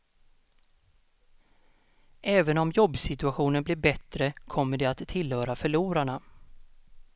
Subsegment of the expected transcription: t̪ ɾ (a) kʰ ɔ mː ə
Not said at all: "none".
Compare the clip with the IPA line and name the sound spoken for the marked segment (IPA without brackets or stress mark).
ə